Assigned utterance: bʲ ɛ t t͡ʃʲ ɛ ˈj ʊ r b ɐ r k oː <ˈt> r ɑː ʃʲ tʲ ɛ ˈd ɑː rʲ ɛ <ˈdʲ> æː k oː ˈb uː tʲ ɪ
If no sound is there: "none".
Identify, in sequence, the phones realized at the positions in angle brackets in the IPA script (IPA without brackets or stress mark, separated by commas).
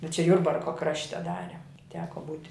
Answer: k, tʲ